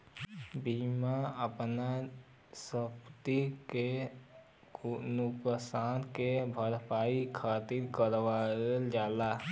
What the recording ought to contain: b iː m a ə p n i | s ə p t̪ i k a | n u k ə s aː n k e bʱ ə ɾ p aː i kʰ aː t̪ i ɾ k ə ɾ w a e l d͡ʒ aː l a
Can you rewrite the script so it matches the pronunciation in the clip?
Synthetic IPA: b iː m a ə p n a | s ə p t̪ i k e | n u k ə s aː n k e bʱ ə ɾ p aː i kʰ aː t̪ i ɾ k ə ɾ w a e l d͡ʒ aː l a